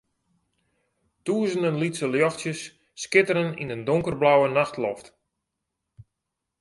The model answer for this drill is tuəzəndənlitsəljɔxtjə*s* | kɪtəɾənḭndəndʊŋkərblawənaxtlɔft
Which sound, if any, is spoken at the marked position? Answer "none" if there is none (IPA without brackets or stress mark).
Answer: sː